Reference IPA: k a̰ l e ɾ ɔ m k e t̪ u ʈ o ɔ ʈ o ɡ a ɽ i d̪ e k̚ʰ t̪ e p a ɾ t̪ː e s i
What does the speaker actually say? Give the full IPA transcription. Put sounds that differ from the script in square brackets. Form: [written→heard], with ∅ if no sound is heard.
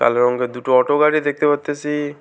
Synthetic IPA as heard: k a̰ l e ɾ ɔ [m→ŋ] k e [t̪→d̪] u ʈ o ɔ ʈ o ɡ a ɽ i d̪ e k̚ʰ t̪ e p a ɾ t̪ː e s i